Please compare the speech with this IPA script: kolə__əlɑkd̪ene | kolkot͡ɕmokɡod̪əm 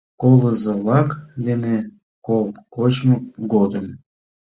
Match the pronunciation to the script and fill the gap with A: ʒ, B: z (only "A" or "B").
B